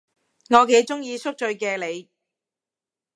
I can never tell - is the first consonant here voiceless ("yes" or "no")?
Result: no